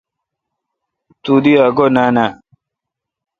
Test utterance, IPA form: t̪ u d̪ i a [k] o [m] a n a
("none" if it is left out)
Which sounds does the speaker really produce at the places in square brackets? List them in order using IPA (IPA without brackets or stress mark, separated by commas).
ɡ, n